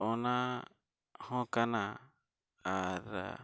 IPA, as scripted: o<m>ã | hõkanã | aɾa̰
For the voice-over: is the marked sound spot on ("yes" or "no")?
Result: no